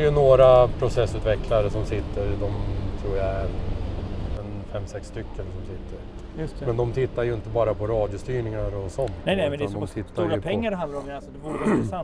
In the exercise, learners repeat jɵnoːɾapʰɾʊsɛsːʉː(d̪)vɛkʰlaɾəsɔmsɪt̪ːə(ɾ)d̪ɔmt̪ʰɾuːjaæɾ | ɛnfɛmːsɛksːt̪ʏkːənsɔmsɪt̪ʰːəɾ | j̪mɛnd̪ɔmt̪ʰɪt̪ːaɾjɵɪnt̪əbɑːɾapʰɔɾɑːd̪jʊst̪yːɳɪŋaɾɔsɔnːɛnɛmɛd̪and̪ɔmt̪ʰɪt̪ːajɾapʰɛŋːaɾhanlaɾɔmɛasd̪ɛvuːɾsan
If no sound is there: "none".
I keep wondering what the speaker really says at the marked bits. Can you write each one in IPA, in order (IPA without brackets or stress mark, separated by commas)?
t̪, ɾ